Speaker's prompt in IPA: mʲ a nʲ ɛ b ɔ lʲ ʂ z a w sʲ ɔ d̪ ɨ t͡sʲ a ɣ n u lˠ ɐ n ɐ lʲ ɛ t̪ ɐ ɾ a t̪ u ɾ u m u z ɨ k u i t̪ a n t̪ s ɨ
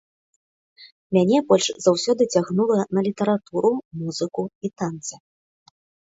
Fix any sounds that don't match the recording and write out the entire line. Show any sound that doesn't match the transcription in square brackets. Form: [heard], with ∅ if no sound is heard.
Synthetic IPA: mʲ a nʲ ɛ b ɔ lʲ ʂ z a w sʲ ɔ d̪ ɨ t͡sʲ a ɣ n u lˠ ɐ n ɐ lʲ [i] t̪ ɐ ɾ a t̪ u ɾ u m u z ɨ k u i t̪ a n t̪ s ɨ